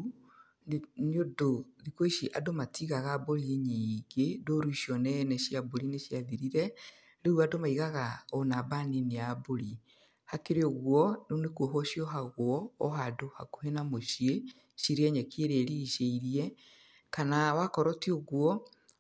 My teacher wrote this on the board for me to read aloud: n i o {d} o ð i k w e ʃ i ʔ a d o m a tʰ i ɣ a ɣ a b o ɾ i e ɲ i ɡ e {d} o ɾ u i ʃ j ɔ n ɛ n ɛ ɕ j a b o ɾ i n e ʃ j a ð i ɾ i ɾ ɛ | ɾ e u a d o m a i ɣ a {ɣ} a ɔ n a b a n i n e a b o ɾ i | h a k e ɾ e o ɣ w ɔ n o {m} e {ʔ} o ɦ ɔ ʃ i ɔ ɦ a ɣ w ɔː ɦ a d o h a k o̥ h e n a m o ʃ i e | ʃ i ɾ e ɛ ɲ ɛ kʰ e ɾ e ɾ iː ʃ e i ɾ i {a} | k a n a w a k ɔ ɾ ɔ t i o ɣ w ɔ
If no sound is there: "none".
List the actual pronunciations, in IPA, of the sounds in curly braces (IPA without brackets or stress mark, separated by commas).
d, d, ɣ, n, k, ɛ